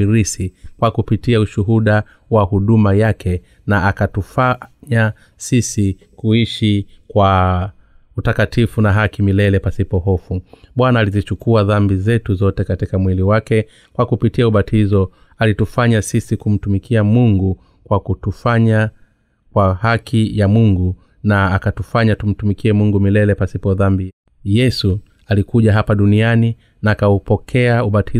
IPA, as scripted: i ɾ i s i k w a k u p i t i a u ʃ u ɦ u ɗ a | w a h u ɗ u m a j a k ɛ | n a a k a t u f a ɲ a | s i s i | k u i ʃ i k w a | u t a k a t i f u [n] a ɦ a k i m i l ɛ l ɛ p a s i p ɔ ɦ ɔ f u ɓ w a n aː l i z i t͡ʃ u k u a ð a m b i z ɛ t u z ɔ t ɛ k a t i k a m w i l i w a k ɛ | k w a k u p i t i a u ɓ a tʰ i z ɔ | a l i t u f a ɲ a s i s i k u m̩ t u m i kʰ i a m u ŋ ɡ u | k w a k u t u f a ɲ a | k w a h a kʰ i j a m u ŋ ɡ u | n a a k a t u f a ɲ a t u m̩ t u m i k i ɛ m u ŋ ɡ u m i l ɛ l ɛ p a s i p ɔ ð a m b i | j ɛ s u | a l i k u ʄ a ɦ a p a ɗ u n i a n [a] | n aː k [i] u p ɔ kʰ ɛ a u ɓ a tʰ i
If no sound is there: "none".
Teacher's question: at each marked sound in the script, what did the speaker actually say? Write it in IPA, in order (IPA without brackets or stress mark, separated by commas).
n, i, a